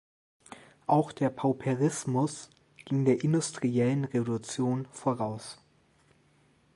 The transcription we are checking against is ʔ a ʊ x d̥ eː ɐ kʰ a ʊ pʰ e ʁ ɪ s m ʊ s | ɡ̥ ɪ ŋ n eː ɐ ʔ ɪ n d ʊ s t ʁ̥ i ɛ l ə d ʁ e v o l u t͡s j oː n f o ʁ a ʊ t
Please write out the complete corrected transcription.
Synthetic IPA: ʔ a ʊ x d̥ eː ɐ pʰ a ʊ pʰ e ʁ ɪ s m ʊ s | ɡ̥ ɪ ŋ d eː ɐ ʔ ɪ n d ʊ s t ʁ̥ i ɛ l ə n ʁ e v o l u t͡s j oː n f o ʁ a ʊ s